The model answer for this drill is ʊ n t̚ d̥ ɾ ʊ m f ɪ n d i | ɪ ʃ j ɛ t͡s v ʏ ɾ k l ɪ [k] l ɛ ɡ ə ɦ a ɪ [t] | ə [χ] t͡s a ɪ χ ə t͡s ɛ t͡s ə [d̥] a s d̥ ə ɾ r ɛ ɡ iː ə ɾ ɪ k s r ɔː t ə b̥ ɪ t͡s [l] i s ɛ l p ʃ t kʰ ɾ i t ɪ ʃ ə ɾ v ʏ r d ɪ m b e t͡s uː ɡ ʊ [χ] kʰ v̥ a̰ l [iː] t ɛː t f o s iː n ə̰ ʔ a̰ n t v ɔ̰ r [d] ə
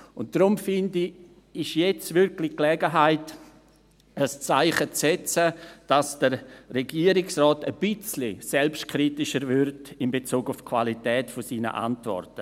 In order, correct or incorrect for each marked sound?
correct, correct, incorrect, correct, correct, incorrect, incorrect, incorrect

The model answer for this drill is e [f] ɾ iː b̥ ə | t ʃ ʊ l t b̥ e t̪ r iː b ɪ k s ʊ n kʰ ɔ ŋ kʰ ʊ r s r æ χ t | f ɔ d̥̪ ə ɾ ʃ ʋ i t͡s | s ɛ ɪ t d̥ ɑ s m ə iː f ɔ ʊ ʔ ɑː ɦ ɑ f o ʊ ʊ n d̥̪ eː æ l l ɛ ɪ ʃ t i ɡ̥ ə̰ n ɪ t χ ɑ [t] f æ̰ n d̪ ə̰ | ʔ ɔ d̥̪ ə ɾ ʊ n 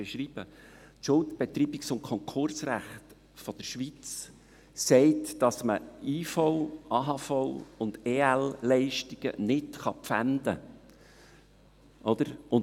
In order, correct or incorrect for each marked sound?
incorrect, incorrect

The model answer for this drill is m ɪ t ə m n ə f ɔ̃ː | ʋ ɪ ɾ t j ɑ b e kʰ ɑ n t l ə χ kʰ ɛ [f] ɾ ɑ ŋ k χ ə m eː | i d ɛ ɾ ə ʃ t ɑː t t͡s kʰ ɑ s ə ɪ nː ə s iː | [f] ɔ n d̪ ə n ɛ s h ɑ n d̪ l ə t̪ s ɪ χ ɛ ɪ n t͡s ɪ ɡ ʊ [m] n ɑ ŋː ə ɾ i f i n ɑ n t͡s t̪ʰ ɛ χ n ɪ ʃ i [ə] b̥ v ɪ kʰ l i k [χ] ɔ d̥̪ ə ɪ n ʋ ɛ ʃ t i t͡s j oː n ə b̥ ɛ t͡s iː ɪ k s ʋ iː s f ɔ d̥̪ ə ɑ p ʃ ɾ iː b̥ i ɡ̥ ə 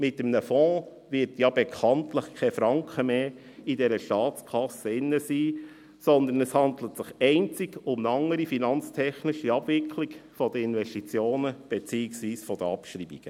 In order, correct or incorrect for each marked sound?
correct, incorrect, correct, incorrect, incorrect

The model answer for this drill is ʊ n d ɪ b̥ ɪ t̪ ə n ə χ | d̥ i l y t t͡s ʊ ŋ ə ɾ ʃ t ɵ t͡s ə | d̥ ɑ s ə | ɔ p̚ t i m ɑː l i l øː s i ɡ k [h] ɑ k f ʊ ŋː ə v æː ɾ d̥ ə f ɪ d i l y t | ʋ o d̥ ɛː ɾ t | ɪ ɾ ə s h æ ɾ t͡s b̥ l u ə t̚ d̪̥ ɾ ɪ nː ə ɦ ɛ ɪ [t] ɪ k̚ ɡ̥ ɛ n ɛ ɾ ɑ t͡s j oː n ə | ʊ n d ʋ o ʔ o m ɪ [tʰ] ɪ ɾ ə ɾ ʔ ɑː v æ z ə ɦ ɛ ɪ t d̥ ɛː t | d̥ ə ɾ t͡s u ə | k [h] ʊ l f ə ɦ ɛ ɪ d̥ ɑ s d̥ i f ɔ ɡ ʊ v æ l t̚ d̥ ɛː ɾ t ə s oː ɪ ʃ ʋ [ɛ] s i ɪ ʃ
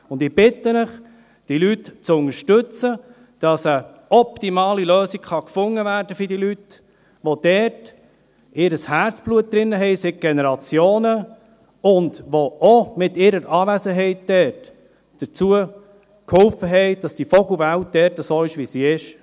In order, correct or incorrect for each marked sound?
incorrect, incorrect, incorrect, correct, incorrect

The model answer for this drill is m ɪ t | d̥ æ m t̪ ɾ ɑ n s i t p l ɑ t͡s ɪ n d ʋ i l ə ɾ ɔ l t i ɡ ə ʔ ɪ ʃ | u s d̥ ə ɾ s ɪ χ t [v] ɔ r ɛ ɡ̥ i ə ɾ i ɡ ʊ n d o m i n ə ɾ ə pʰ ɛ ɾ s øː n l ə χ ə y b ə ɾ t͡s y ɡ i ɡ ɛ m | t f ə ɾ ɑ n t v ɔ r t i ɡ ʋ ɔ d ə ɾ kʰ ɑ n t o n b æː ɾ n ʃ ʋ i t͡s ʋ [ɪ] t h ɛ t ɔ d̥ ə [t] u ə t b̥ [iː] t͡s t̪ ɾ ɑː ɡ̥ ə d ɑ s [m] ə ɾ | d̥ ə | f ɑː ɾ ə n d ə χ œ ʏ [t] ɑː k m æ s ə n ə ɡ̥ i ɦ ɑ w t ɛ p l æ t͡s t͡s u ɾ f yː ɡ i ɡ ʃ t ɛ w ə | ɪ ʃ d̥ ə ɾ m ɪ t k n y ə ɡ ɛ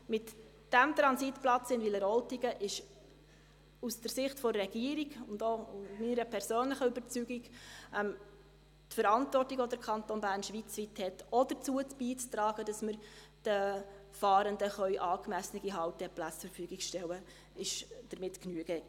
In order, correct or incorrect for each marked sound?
incorrect, incorrect, incorrect, correct, correct, incorrect

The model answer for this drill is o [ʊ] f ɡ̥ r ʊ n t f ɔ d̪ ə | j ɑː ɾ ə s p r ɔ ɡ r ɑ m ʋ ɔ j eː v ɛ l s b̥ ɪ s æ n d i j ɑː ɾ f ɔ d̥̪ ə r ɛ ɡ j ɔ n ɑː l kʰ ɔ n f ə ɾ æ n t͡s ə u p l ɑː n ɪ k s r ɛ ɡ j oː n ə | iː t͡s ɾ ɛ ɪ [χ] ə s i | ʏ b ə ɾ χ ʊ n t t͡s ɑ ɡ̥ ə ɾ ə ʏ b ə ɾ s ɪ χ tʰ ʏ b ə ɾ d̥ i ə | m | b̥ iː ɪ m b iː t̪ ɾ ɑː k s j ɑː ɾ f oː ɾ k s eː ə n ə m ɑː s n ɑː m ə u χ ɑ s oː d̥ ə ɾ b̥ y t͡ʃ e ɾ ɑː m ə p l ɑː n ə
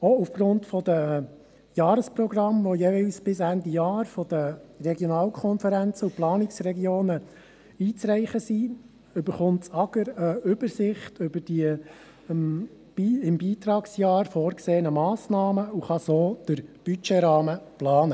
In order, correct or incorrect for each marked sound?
incorrect, correct

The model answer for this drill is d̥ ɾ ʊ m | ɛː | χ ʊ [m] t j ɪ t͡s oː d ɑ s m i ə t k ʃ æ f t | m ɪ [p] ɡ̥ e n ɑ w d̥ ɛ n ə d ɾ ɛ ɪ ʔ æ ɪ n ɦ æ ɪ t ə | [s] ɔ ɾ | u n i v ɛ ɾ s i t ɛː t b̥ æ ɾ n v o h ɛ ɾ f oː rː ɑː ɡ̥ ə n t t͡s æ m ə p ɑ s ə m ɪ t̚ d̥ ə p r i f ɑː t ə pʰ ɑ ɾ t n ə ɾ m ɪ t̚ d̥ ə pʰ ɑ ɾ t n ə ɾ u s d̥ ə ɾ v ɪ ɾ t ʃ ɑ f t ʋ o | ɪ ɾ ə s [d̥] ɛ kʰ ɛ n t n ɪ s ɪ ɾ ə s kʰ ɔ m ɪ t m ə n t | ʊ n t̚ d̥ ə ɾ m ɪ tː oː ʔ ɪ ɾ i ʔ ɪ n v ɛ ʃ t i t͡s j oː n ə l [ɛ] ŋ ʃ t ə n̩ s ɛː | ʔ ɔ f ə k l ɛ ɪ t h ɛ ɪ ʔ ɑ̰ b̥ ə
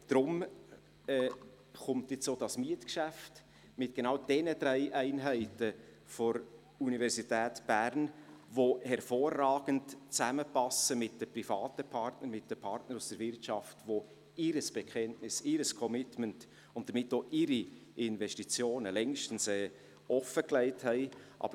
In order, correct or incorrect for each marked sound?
correct, incorrect, incorrect, incorrect, correct

